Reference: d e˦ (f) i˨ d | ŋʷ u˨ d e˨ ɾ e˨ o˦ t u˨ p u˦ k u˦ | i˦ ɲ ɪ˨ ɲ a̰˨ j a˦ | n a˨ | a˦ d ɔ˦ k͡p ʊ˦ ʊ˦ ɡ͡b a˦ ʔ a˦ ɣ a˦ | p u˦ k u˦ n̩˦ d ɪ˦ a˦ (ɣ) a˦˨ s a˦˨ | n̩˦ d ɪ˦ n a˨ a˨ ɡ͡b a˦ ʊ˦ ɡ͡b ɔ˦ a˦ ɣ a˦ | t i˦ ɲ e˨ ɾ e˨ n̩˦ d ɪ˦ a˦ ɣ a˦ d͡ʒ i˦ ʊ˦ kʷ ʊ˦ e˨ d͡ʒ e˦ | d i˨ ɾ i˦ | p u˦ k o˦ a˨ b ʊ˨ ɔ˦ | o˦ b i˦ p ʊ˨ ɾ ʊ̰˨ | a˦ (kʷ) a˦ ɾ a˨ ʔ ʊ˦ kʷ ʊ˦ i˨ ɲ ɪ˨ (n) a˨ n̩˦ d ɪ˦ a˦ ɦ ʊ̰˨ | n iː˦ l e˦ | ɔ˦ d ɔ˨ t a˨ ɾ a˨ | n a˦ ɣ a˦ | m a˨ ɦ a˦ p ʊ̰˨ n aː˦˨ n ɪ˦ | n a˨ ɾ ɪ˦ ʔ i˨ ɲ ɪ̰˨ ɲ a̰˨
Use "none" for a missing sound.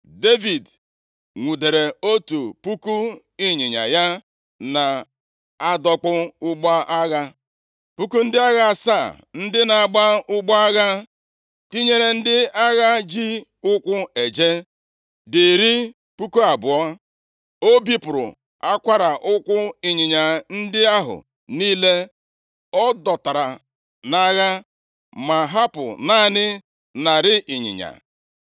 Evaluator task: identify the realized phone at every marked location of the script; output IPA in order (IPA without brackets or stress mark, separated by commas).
v, ɣ, kʷ, ɲ